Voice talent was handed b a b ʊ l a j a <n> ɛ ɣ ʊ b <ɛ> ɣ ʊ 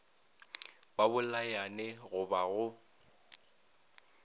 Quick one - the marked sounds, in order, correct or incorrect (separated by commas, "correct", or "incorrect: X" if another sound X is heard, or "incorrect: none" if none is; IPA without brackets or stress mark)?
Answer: correct, incorrect: a